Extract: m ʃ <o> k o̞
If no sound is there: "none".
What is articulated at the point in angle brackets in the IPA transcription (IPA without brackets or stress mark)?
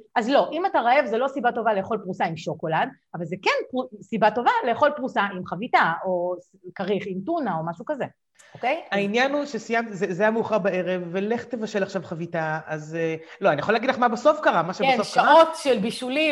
o